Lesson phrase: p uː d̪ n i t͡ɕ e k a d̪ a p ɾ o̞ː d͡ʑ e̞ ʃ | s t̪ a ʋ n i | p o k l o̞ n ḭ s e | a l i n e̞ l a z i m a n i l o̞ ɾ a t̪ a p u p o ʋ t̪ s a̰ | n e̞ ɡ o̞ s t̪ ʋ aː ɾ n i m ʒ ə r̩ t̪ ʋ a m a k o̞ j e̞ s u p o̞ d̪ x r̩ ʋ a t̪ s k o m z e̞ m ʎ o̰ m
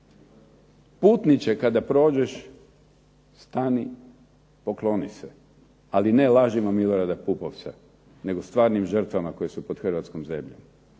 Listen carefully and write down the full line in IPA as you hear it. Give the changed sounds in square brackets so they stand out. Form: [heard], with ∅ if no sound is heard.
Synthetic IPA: p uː [t̪] n i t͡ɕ e k a d̪ a p ɾ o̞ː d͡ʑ e̞ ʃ | s t̪ a [∅] n i | p o k l o̞ n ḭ s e | a l i n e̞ l a [ʒ] i m a [m] i l o̞ ɾ a [d̪] a p u p o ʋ t̪ s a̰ | n e̞ ɡ o̞ s t̪ ʋ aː ɾ n i m ʒ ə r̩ t̪ ʋ a m a k o̞ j e̞ s u p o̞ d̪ x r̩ ʋ a t̪ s k o m z e̞ m ʎ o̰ m